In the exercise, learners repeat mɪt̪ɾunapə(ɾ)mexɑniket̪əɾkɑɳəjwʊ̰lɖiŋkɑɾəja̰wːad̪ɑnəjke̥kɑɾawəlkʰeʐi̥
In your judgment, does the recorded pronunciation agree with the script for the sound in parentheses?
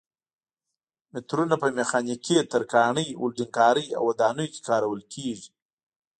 no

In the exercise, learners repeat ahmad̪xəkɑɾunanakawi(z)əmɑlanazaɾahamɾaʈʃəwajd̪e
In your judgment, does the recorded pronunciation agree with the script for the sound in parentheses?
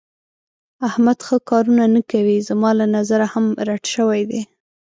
yes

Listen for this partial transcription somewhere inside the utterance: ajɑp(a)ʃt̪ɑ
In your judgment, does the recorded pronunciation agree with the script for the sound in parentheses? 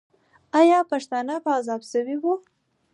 yes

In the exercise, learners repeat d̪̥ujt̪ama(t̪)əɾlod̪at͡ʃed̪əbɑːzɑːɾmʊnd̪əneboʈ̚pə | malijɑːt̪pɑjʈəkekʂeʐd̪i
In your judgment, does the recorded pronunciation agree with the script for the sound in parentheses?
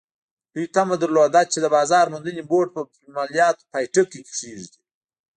no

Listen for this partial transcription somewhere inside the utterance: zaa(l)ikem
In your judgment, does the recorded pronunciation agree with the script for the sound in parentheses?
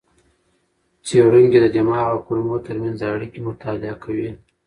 no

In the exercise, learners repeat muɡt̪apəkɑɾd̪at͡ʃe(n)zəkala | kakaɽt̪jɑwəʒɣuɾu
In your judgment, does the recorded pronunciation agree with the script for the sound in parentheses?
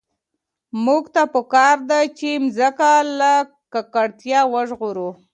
no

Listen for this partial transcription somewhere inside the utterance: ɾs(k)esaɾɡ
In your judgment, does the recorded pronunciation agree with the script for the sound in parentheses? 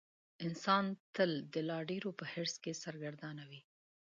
yes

